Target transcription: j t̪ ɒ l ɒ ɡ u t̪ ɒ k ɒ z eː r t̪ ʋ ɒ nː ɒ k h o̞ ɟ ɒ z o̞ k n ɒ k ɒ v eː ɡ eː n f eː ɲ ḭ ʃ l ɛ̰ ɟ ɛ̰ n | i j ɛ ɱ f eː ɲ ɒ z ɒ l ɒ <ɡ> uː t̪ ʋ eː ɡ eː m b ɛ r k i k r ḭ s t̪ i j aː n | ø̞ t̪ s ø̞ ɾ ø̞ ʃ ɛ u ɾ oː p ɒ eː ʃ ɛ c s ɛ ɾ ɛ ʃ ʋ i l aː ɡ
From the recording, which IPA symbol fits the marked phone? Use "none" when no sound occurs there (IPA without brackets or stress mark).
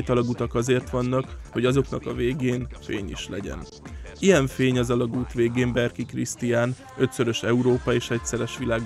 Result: ɡ